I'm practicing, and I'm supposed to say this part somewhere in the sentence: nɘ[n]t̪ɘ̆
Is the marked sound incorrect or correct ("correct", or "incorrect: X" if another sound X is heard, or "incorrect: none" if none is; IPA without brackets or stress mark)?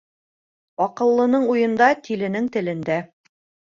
incorrect: ŋ